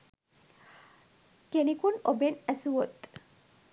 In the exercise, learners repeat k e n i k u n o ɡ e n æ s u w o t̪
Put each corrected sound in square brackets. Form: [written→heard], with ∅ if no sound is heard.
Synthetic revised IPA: k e n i k u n o [ɡ→b] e n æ s u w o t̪